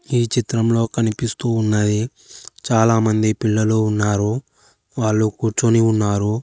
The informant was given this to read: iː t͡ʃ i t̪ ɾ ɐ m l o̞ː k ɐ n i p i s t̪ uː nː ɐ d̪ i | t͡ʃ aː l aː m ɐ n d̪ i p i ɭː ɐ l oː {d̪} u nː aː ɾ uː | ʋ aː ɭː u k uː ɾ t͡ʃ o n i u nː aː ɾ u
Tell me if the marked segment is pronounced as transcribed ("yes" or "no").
no